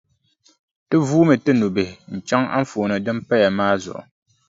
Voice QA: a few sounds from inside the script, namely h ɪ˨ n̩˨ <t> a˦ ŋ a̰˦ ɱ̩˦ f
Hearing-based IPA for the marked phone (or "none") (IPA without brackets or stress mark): t͡ʃ